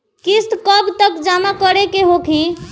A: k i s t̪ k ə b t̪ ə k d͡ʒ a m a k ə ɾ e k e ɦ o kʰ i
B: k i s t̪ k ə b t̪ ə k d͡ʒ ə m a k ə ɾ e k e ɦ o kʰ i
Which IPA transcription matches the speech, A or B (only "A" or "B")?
A